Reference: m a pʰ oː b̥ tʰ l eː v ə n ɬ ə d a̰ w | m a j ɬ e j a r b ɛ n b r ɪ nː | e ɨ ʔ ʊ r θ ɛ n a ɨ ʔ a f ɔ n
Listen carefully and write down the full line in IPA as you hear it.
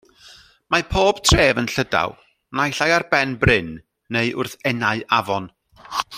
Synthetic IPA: m a pʰ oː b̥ tʰ r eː v ə n ɬ ə d a̰ w | n a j ɬ a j a r b ɛ n b r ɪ nː | e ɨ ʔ ʊ r θ ɛ n a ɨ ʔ a v ɔ n